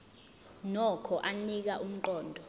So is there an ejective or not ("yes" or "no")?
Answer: no